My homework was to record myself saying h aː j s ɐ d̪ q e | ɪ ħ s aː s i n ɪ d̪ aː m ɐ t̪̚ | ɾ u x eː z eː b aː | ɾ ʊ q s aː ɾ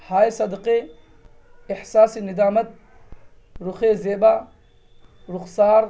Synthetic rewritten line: h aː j s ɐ d̪ q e | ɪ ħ s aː s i n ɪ d̪ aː m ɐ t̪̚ | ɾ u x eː z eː b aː | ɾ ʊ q s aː ɾ